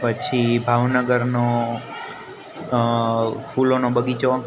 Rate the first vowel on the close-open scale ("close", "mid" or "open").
mid